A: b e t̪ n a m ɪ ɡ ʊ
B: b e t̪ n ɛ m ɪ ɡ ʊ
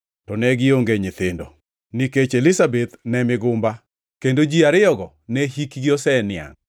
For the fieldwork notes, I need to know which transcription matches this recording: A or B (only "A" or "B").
B